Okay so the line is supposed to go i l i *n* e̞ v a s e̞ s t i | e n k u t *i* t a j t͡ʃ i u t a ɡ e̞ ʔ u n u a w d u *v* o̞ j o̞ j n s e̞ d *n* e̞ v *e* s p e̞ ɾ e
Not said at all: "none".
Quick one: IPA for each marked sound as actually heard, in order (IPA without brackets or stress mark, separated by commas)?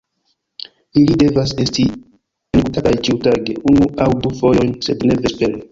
d, a, f, n, e